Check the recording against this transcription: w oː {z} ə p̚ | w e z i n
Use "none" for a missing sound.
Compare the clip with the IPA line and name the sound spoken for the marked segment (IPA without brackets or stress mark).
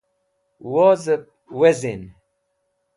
z